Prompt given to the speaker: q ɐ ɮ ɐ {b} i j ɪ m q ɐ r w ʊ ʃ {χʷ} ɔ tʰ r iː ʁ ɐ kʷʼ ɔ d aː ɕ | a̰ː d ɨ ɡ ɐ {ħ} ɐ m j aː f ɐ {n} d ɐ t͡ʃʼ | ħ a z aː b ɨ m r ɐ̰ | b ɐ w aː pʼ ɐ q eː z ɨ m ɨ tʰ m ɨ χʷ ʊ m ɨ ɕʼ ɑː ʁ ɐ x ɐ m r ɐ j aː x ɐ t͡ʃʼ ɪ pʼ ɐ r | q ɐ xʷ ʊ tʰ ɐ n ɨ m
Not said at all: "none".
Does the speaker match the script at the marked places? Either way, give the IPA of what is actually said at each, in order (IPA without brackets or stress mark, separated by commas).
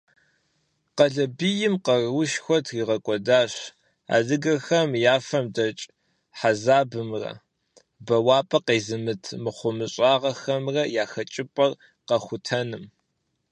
b, xʷ, x, m